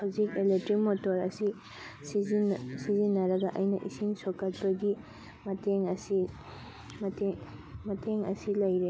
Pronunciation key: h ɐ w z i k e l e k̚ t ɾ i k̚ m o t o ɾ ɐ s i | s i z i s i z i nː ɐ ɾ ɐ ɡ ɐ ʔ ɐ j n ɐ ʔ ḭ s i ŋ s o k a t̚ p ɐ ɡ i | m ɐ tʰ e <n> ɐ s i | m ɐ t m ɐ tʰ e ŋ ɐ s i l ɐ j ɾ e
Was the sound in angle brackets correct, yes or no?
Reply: no